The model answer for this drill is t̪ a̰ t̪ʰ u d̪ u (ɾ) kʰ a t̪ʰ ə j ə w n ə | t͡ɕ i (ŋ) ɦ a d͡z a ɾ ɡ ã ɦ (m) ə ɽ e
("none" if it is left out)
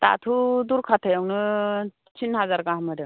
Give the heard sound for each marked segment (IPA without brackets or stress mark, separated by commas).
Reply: ɾ, n, m